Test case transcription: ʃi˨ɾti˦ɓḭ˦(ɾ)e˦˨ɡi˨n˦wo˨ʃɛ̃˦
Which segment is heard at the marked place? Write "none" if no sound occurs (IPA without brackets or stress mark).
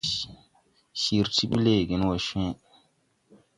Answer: l